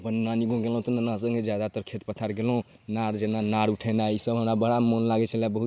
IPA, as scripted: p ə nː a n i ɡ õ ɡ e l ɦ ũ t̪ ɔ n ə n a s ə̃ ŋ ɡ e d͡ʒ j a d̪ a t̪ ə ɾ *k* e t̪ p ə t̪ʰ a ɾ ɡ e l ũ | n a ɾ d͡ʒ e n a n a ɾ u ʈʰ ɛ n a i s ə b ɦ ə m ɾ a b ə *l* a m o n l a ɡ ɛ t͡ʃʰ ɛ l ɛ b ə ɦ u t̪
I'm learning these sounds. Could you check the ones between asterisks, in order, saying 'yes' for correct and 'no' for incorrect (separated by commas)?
no, no